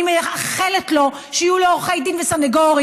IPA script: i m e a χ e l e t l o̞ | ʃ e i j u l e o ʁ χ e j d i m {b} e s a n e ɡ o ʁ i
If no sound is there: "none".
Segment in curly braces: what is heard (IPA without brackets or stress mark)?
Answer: v